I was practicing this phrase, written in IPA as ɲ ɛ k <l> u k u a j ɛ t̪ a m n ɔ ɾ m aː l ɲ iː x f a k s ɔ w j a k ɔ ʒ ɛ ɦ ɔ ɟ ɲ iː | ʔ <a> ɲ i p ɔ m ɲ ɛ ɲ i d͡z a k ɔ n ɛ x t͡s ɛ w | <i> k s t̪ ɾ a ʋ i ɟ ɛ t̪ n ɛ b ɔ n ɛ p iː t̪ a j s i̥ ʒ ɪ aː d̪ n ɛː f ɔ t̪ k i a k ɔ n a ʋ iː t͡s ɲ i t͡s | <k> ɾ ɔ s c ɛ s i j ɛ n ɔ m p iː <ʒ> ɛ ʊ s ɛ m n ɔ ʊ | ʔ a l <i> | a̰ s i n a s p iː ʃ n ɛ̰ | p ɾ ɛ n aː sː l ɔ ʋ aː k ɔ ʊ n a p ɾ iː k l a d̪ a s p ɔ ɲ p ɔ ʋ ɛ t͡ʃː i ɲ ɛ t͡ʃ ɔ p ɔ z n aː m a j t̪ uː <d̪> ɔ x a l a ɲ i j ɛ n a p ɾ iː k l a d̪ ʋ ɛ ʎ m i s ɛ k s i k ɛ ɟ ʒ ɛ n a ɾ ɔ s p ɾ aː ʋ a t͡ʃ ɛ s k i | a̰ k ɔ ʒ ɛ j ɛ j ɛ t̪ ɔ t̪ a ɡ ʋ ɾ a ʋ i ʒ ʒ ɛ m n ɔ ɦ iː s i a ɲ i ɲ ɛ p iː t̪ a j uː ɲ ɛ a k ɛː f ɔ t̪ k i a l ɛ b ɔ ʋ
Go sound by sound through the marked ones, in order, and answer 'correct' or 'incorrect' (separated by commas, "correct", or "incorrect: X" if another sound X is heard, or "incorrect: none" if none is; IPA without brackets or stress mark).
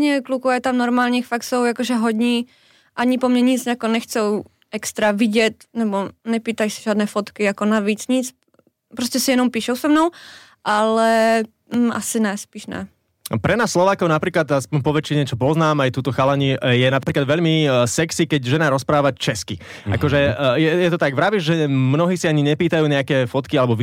correct, correct, incorrect: ɛ, incorrect: p, incorrect: ʃ, incorrect: ɛ, incorrect: t̪